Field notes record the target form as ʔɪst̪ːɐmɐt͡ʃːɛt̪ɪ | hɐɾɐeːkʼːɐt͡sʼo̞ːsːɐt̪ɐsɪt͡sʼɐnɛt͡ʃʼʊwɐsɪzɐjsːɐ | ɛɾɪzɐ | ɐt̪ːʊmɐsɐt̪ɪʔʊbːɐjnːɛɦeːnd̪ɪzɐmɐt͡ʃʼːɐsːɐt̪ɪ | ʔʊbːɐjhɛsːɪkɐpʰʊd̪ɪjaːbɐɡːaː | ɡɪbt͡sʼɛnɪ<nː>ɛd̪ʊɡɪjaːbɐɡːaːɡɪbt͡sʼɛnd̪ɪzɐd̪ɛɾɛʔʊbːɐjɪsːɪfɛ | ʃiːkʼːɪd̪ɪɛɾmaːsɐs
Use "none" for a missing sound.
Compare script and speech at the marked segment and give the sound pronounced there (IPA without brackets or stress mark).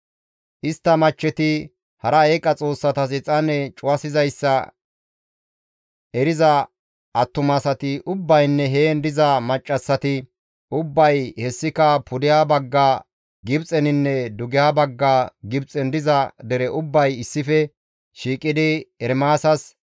nː